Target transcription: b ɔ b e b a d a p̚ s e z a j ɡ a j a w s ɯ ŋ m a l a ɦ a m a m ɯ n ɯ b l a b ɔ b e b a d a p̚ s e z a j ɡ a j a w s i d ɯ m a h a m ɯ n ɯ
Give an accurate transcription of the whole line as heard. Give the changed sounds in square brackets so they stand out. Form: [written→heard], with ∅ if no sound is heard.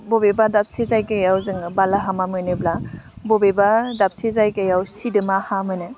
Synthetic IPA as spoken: b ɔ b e b a d a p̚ s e z a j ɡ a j a w [s→z] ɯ ŋ [m→b] a l a ɦ a m a m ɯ n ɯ b l a b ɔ b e b a d a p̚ s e z a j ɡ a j a w s i d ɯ m a h a m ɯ n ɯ